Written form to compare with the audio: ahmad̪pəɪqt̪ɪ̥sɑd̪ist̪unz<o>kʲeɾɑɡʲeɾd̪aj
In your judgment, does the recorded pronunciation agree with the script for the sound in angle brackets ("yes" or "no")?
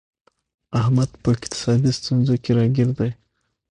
yes